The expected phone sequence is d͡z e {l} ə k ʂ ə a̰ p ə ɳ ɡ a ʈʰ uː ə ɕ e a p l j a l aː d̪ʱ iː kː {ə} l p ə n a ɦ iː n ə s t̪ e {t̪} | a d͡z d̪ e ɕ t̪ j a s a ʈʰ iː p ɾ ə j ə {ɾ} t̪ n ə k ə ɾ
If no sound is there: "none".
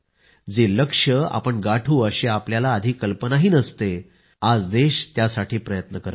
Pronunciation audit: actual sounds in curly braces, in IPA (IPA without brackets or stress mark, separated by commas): l, ə, none, none